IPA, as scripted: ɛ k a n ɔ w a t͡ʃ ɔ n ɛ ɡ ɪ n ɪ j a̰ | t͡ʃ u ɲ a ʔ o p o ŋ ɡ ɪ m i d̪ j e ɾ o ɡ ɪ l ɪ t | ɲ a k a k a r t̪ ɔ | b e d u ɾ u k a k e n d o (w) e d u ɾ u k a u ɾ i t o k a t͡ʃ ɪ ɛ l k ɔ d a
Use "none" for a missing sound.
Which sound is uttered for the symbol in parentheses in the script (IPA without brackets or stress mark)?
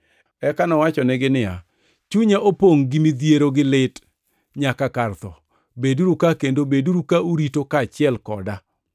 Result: b